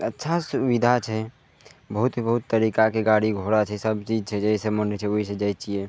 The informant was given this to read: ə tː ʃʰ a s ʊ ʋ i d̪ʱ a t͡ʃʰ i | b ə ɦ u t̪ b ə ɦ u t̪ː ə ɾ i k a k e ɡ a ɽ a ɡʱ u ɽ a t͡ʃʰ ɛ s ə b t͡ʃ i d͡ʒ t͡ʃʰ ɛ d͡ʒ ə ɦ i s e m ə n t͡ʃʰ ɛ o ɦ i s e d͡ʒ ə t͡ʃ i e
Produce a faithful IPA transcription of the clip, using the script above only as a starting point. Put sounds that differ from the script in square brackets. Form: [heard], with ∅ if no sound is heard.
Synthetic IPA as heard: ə tː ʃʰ a s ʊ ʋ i d̪ʱ a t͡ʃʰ [ɛ] | b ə ɦ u t̪ b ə ɦ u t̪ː ə ɾ i k a k e ɡ a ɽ [i] ɡʱ [o] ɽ a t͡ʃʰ ɛ s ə b t͡ʃ i d͡ʒ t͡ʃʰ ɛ d͡ʒ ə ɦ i s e m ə n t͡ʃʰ ɛ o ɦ i s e d͡ʒ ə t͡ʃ i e

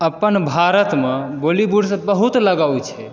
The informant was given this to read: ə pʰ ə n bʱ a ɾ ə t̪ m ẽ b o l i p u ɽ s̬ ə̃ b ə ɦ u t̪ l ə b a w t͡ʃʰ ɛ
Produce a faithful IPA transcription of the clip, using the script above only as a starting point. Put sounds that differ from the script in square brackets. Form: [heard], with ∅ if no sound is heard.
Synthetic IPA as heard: ə [p] ə n bʱ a ɾ ə t̪ m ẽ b o l i [b] u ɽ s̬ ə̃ b ə ɦ u t̪ l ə [ɡ] a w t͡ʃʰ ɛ

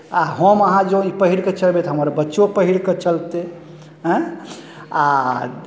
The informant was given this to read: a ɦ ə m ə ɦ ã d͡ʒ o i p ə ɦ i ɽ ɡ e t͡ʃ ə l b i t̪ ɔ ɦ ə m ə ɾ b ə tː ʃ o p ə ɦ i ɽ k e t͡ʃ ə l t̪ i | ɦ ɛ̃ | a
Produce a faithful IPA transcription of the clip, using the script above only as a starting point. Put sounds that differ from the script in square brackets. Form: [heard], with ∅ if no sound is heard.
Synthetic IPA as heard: a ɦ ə m ə ɦ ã d͡ʒ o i p ə ɦ i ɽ [k] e t͡ʃ ə l b [e] t̪ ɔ ɦ ə m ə ɾ b ə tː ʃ o p ə ɦ i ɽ k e t͡ʃ ə l t̪ [e] | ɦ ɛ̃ | a

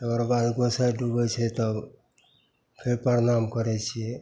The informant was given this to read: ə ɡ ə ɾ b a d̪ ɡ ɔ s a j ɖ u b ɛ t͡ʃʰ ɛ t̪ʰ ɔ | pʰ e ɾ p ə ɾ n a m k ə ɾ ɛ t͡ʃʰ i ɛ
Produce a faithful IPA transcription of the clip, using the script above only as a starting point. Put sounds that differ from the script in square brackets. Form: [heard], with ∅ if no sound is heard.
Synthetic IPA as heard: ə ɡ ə ɾ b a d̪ ɡ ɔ s a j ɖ u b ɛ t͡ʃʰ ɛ [t̪] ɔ | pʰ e ɾ p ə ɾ n a m k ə ɾ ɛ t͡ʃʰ i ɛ

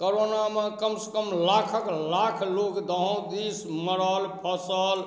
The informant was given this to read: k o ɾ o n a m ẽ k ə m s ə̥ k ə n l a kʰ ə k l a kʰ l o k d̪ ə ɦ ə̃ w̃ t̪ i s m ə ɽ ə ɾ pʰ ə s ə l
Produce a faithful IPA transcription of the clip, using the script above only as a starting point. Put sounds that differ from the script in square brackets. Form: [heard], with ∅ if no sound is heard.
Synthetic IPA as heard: k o ɾ o n a m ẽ k ə m s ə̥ k ə [m] l a kʰ ə k l a kʰ l o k d̪ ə ɦ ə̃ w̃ [d̪] i s m ə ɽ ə [l] pʰ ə s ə l

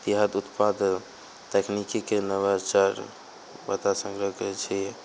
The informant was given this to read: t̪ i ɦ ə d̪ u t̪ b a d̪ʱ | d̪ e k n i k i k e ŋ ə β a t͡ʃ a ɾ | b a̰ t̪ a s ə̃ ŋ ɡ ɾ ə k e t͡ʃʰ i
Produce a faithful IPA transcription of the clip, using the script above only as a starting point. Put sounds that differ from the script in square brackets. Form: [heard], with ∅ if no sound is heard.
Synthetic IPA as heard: t̪ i ɦ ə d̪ u t̪ [p] a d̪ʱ | [t̪] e k n i k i k e [n] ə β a t͡ʃ a ɾ | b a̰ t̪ a s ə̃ ŋ ɡ ɾ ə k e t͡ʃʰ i

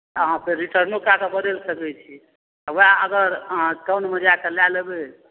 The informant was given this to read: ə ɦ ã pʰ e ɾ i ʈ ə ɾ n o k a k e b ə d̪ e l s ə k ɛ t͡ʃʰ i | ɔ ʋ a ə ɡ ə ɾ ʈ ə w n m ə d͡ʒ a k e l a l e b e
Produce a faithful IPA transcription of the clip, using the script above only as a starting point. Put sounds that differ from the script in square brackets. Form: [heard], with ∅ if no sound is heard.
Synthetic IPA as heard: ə ɦ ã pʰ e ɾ i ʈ ə ɾ n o k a k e b ə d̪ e l s ə k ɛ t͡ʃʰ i | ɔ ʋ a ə ɡ ə ɾ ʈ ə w n m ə d͡ʒ a k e l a l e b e

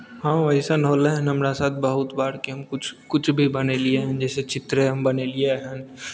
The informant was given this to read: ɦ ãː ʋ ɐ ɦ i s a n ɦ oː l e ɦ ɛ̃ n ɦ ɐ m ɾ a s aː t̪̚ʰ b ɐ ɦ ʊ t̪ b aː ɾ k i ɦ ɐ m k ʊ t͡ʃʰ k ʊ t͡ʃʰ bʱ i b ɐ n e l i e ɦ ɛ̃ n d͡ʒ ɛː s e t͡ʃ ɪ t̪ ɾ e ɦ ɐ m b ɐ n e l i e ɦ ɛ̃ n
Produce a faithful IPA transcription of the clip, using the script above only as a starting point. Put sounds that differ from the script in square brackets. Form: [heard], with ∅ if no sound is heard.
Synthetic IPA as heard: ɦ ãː ʋ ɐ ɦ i s a n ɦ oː l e ɦ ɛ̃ n ɦ ɐ m ɾ a s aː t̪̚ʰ b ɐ ɦ ʊ t̪ b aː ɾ k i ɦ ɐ m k ʊ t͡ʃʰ k ʊ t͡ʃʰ bʱ i b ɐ n e l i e ɦ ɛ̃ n d͡ʒ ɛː s e t͡ʃ ɪ t̪ ɾ e ɦ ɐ m b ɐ n e l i e ɦ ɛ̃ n

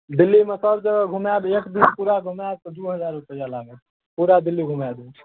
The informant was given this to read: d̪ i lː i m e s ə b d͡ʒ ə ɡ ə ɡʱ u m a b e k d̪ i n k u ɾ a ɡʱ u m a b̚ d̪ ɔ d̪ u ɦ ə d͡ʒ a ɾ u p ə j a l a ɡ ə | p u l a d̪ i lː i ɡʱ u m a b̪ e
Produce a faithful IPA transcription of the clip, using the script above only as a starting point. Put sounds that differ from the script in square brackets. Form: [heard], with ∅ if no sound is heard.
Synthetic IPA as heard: d̪ i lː i m e s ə b d͡ʒ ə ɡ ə ɡʱ u m a b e k d̪ i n [p] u ɾ a ɡʱ u m a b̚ [t̪] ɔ d̪ u ɦ ə d͡ʒ a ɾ u p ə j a l a ɡ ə | p u [ɾ] a d̪ i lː i ɡʱ u m a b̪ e

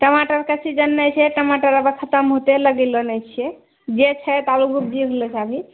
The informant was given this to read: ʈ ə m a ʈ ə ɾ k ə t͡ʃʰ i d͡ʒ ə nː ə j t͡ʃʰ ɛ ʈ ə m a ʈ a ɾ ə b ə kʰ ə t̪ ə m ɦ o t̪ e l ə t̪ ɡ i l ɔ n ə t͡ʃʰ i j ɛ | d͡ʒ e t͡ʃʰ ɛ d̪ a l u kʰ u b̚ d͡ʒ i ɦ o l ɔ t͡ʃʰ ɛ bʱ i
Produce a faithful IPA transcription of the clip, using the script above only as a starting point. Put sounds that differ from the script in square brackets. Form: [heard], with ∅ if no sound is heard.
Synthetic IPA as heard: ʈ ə m a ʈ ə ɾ k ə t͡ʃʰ i d͡ʒ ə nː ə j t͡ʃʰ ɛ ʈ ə m a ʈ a ɾ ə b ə kʰ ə t̪ ə m ɦ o t̪ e l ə [∅] ɡ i l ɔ n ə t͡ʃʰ i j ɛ | d͡ʒ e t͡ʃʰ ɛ [t̪] a l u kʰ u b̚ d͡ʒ i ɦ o l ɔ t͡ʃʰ [a] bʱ i

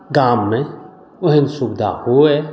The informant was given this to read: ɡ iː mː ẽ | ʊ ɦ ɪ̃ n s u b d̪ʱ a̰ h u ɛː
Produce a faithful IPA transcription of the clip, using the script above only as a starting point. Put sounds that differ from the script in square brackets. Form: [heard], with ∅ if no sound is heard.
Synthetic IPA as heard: ɡ [aː] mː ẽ | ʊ ɦ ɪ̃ n s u b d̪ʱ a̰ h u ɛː

